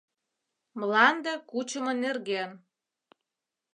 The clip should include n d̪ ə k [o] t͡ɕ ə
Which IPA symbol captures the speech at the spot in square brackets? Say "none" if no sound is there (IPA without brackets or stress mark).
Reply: u